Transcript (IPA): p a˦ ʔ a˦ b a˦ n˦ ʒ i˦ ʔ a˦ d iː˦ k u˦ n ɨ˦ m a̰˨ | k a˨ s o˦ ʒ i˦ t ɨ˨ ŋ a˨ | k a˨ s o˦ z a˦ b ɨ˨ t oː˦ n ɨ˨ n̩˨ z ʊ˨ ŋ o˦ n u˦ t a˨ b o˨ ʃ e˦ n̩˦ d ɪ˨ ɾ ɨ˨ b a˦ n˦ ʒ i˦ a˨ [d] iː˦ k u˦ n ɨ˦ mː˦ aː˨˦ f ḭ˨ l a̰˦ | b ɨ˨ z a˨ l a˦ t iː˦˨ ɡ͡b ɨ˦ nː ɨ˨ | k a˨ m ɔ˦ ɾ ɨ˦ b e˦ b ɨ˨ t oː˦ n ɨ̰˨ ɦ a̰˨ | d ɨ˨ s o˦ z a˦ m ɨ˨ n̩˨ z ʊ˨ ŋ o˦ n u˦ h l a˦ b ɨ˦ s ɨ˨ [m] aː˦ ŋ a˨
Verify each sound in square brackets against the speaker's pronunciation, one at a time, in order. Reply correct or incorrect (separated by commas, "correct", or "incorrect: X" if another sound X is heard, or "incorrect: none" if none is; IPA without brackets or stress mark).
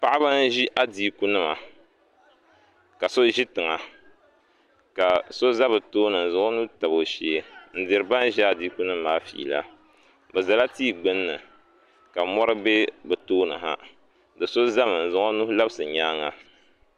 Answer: correct, incorrect: ɲ